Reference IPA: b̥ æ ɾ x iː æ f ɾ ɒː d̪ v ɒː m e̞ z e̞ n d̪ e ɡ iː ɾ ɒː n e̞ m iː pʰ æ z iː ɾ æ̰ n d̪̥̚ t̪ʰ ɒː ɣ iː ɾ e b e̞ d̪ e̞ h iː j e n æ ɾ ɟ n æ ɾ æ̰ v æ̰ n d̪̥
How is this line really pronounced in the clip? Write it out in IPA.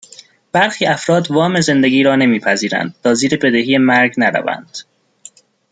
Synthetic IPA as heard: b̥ æ ɾ x iː æ f ɾ ɒː d̪ v ɒː m e̞ z e̞ n d̪ e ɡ iː ɾ ɒː n e̞ m iː pʰ æ z iː ɾ æ̰ n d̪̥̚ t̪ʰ ɒː z iː ɾ e b e̞ d̪ e̞ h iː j e m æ ɾ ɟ n æ ɾ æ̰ v æ̰ n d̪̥